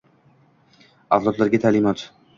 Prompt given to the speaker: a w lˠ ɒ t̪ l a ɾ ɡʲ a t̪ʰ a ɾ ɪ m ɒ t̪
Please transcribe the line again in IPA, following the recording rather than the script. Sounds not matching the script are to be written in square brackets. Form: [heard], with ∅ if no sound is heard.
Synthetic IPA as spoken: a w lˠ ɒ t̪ l a ɾ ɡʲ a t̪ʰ a [l] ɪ m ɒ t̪